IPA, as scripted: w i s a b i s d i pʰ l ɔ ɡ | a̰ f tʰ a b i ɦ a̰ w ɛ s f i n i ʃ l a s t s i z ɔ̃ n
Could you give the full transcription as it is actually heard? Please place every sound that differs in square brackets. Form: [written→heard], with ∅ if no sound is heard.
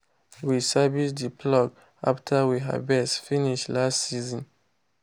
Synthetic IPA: w i s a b i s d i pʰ l ɔ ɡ | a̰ f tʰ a [b→w] i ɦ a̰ [w→b] ɛ s f i n i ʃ l a s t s i z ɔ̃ n